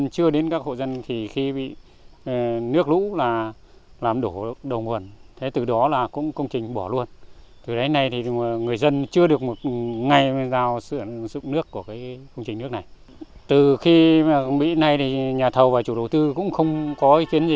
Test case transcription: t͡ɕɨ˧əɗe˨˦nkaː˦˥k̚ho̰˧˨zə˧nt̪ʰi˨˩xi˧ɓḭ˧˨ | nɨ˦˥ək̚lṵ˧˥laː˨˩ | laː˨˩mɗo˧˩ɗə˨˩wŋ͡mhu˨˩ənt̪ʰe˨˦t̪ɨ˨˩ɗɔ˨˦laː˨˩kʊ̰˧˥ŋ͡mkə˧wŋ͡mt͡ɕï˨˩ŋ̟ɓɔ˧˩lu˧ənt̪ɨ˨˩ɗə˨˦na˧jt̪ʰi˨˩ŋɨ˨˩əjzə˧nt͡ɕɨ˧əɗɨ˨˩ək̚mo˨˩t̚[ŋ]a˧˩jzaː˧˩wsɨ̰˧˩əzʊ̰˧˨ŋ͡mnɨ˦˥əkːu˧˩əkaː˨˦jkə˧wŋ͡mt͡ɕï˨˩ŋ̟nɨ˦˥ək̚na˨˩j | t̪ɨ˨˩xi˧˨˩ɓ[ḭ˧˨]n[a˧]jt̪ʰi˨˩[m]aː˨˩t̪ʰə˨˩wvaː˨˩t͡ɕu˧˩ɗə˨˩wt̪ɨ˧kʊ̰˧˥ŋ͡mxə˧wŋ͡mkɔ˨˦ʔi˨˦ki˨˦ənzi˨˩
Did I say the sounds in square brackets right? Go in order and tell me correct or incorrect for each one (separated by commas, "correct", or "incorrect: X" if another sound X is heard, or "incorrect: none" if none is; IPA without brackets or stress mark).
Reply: correct, correct, correct, incorrect: ɲ